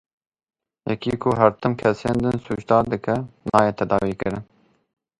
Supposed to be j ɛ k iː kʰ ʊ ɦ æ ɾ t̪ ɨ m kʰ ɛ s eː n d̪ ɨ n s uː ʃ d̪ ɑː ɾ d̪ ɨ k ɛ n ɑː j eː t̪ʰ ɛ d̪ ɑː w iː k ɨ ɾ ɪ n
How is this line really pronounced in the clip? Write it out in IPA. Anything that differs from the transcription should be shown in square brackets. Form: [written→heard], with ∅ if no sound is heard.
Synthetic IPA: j ɛ k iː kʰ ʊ ɦ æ ɾ t̪ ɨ m kʰ ɛ s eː n d̪ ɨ n s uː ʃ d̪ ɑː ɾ d̪ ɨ k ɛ n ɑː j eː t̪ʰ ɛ d̪ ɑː w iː k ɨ ɾ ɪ n

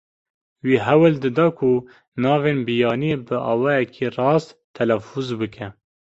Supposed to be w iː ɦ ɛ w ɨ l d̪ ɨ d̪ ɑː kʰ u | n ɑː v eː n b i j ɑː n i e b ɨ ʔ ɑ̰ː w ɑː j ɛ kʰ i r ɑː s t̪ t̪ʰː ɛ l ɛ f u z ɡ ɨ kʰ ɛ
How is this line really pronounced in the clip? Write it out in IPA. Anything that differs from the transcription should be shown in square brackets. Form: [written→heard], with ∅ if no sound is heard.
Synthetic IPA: w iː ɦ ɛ w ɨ l d̪ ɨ d̪ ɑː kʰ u | n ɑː v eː n b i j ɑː n i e b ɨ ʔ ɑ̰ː w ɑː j ɛ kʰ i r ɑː s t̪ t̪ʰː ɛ l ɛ f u z [ɡ→b] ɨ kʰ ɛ

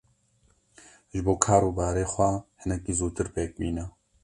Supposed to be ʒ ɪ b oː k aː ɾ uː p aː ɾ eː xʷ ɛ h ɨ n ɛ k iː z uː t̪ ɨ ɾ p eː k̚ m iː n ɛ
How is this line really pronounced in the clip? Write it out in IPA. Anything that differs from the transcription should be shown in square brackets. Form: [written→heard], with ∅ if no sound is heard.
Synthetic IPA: ʒ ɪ b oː [k→kʰ] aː ɾ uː [p→b] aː ɾ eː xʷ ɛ h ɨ n ɛ k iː z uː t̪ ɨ ɾ p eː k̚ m iː n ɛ

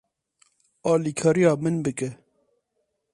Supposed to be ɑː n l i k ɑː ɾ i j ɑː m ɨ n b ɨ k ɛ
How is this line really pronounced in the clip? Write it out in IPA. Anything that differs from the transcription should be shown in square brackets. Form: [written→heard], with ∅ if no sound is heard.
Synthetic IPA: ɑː [n→∅] l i [k→kʰ] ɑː ɾ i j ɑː m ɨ n b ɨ k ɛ

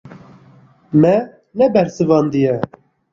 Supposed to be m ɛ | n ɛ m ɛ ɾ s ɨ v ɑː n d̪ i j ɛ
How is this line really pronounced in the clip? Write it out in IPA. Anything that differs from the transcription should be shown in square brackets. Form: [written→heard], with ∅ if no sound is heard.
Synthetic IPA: m ɛ | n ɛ [m→b] ɛ ɾ s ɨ v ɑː n d̪ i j ɛ

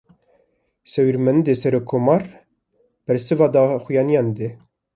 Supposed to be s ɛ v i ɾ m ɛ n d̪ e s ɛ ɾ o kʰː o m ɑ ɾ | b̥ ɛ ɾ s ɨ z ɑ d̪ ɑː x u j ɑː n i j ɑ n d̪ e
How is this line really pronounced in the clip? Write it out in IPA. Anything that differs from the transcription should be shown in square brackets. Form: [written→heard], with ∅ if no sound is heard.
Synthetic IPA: s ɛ [v→w] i ɾ m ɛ n d̪ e s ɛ ɾ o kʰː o m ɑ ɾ | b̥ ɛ ɾ s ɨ [z→v] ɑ d̪ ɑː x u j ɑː n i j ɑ n d̪ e

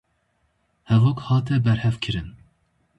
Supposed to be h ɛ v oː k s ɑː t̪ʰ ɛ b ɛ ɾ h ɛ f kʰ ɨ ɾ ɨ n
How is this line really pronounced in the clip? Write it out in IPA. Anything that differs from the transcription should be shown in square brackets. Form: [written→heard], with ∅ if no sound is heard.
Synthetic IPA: h ɛ v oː k [s→h] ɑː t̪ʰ ɛ b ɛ ɾ h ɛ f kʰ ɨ ɾ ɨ n

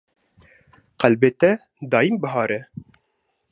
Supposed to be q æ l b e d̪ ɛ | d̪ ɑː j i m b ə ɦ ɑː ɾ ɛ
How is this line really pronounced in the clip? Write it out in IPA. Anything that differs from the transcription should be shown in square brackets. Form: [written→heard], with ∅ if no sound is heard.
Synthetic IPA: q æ l b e [d̪→t̪] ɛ | d̪ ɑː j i m b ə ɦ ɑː ɾ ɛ

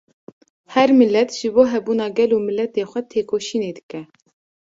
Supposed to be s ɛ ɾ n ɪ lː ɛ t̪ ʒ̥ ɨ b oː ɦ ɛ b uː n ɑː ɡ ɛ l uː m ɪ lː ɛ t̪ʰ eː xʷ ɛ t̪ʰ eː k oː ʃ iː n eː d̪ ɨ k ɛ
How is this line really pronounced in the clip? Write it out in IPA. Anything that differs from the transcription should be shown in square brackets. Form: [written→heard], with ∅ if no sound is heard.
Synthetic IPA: [s→h] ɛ ɾ [n→m] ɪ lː ɛ t̪ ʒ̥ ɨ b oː ɦ ɛ b uː n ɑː ɡ ɛ l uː m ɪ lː ɛ [t̪ʰ→t̪] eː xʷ ɛ t̪ʰ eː k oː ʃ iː n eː d̪ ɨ k ɛ

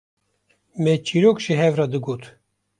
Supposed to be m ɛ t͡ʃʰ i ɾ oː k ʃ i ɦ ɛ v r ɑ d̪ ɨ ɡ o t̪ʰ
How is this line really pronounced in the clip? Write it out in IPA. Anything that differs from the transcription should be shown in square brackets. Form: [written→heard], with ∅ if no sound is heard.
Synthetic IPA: m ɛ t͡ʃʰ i ɾ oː k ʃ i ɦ ɛ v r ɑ d̪ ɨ ɡ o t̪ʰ

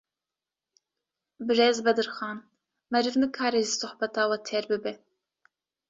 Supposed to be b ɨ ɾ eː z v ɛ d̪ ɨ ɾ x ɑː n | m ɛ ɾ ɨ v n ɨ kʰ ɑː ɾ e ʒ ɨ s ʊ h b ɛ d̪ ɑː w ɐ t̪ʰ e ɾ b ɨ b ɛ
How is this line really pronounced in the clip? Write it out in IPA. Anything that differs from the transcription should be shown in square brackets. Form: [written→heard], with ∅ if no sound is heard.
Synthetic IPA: b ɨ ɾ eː z [v→b] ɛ d̪ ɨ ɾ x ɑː n | m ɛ ɾ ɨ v n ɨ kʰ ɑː ɾ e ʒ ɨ s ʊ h b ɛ [d̪→t̪] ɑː w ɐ t̪ʰ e ɾ b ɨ b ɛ

